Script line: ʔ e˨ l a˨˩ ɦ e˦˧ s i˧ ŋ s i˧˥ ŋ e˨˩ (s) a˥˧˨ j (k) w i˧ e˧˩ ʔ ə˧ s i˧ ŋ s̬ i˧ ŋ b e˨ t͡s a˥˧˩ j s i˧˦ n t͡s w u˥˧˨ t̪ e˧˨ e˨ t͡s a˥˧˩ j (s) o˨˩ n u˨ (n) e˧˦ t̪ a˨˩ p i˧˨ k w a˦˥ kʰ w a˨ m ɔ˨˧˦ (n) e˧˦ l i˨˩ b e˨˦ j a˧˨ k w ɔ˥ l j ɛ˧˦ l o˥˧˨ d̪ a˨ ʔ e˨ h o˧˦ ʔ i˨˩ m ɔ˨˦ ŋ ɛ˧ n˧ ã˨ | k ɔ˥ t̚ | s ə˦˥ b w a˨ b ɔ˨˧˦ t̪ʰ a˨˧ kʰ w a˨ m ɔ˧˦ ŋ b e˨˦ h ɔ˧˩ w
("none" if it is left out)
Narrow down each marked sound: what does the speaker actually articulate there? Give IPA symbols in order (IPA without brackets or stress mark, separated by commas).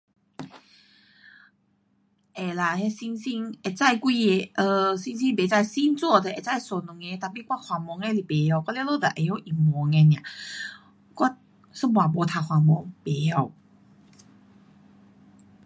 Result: t͡s, k, s, ŋ, ŋ